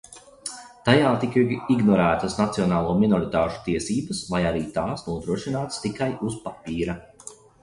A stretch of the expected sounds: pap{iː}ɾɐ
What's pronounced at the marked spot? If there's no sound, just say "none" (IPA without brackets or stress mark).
iː